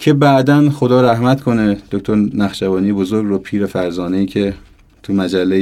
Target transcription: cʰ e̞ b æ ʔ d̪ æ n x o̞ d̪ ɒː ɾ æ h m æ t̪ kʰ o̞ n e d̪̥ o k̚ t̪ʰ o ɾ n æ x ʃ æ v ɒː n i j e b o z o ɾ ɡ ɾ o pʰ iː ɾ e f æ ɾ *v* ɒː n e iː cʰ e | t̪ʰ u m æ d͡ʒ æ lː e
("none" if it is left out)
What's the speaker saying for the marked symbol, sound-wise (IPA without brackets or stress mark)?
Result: z